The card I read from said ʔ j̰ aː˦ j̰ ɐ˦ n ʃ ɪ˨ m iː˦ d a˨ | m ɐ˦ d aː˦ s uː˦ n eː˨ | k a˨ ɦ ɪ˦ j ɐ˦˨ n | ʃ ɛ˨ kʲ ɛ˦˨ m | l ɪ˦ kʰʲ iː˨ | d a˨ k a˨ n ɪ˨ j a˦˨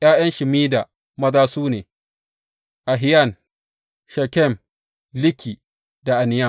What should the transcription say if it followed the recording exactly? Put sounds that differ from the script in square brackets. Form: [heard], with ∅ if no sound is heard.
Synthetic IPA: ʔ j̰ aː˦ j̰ ɐ˦ n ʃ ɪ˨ m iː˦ d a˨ | m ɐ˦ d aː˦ s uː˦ n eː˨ | [ʔ] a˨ ɦ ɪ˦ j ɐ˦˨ n | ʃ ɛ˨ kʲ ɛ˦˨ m | l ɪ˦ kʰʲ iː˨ | d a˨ [ʔ] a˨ n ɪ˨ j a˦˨